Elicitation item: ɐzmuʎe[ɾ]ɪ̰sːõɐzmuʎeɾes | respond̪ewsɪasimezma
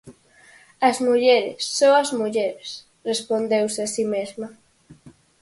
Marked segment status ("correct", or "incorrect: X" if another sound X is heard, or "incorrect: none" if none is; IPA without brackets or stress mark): correct